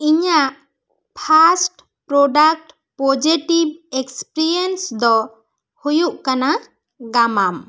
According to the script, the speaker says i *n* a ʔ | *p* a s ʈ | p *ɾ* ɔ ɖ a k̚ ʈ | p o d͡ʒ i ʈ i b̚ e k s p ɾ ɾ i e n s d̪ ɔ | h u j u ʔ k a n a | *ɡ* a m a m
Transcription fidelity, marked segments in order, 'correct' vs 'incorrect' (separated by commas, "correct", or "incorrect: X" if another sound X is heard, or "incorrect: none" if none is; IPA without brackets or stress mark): incorrect: ɲ, incorrect: pʰ, correct, correct